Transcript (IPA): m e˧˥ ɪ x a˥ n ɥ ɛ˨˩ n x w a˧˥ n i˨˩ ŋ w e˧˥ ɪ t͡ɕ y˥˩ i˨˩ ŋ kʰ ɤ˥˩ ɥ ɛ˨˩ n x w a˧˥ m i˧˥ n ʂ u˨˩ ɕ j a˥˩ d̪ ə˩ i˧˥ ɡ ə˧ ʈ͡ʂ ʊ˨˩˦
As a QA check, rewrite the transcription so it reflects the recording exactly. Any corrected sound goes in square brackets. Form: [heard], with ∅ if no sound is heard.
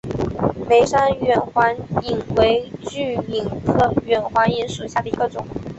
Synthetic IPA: m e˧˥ ɪ [ʂ] a˥ n ɥ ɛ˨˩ n x w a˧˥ n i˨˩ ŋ w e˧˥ ɪ t͡ɕ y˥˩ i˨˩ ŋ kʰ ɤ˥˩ ɥ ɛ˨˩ n x w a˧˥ [n] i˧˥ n ʂ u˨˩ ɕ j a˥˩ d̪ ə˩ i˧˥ ɡ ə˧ ʈ͡ʂ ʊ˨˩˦